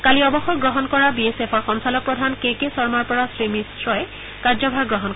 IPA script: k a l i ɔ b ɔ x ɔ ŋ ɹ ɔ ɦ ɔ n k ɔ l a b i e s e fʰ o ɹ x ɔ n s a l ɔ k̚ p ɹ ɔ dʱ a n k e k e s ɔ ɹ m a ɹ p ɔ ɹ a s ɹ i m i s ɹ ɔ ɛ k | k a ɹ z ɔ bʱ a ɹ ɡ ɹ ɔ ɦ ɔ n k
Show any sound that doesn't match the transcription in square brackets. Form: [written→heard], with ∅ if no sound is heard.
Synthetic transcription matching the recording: k a l i ɔ b ɔ x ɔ [ŋ→ɡ] ɹ ɔ ɦ ɔ n k ɔ [l→ɹ] a b i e s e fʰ [o→ɔ] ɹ x ɔ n s a l ɔ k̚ p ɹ ɔ dʱ a n k e k e s ɔ ɹ m a ɹ p ɔ ɹ a s ɹ i m i s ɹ ɔ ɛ [k→∅] | k a ɹ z ɔ bʱ a ɹ ɡ ɹ ɔ ɦ ɔ n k